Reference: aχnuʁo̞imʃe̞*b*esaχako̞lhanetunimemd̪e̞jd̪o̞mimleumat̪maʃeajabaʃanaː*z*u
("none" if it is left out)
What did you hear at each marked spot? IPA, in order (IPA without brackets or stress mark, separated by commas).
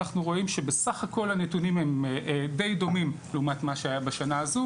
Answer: b, z